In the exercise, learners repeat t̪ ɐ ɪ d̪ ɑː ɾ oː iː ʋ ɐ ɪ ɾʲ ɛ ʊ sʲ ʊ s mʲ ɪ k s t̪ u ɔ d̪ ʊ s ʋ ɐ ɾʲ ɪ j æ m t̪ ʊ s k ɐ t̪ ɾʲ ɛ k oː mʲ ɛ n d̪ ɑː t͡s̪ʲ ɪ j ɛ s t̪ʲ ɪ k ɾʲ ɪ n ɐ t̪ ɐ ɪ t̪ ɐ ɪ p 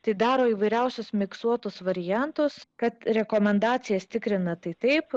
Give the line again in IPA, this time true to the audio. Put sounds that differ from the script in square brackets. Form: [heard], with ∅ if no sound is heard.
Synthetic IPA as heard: t̪ ɐ ɪ d̪ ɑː ɾ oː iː ʋ ɐ ɪ ɾʲ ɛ ʊ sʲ ʊ s mʲ ɪ k s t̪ u ɔ [t̪] ʊ s ʋ ɐ ɾʲ ɪ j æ [n] t̪ ʊ s k ɐ t̪ ɾʲ ɛ k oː mʲ ɛ n d̪ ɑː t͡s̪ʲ ɪ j ɛ s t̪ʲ ɪ k ɾʲ ɪ n ɐ t̪ ɐ ɪ t̪ ɐ ɪ p